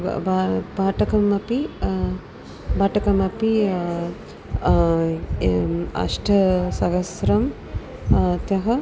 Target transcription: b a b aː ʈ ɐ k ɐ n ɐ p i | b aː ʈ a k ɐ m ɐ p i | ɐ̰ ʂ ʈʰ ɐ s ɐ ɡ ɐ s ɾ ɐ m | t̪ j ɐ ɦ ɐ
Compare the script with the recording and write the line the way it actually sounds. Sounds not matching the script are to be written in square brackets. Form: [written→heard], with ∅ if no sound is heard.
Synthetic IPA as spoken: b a b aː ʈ ɐ k ɐ [n→m] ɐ p i | b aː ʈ [a→ɐ] k ɐ m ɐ p i | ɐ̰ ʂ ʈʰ ɐ s ɐ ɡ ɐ s ɾ ɐ m | t̪ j ɐ ɦ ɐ